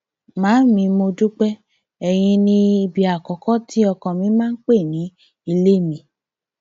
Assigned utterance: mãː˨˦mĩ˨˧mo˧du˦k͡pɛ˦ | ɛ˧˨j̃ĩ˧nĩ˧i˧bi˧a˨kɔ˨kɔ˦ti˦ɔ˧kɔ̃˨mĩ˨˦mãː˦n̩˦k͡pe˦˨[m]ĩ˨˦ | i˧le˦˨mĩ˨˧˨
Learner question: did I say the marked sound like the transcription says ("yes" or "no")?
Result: no